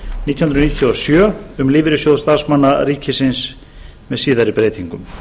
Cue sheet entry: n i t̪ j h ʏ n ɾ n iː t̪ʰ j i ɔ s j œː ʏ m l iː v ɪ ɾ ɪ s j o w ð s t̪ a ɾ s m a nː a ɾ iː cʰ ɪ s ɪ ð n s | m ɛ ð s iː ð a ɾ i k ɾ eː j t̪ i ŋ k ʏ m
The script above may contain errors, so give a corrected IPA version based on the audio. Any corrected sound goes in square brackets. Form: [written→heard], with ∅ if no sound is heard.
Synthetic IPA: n i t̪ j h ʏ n ɾ n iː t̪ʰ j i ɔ s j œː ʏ m l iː v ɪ ɾ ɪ s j o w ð s t̪ a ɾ s m a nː a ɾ iː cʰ ɪ s ɪ [ð→∅] n s | m ɛ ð s iː ð a ɾ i [k→p] ɾ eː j t̪ i ŋ k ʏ m

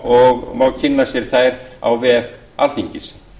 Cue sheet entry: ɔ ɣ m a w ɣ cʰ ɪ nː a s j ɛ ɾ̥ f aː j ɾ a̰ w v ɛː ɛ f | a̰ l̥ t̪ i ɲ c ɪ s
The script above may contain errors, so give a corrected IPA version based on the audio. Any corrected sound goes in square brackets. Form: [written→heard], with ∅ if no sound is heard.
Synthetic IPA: ɔ ɣ m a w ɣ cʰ ɪ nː a s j ɛ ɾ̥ [f→θ] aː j ɾ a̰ w v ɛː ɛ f | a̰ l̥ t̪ i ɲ c ɪ s

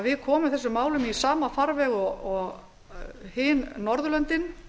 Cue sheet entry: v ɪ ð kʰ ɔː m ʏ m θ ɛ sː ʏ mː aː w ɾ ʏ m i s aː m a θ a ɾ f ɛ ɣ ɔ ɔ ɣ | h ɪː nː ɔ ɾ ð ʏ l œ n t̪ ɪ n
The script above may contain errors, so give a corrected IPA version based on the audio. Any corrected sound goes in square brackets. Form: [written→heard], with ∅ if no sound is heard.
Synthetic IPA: v ɪ ð kʰ ɔː m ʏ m θ ɛ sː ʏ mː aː w [ɾ→l] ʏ m i s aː m a [θ→f] a ɾ [f→v] ɛ ɣ ɔ ɔ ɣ | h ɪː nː ɔ ɾ ð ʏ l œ n t̪ ɪ n

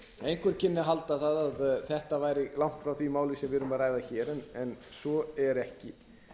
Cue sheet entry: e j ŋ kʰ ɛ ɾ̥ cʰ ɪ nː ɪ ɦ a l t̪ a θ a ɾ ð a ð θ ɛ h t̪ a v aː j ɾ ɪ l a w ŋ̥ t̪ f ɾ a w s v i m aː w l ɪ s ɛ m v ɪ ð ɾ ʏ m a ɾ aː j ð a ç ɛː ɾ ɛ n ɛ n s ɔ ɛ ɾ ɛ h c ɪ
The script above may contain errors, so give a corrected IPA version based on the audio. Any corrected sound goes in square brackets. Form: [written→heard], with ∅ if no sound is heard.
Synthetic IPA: e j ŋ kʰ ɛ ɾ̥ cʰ ɪ nː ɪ ɦ a l t̪ a θ a [ɾ→∅] ð a ð θ ɛ h t̪ a v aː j ɾ ɪ l a w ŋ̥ t̪ f ɾ a w [s→θ] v i m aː w l ɪ s ɛ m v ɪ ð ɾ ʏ m a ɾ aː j ð a ç ɛː ɾ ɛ n ɛ n s ɔ ɛ ɾ ɛ h c ɪ

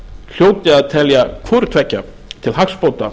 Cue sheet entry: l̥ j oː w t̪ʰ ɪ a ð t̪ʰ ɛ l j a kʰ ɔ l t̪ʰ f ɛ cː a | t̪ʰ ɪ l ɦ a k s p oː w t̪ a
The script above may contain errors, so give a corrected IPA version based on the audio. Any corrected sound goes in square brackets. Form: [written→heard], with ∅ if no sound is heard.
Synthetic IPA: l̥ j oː w [t̪ʰ→t̪] ɪ a ð t̪ʰ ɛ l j a kʰ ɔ [l→ɾ] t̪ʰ [f→v] ɛ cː a | t̪ʰ ɪ l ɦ a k s p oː w t̪ a

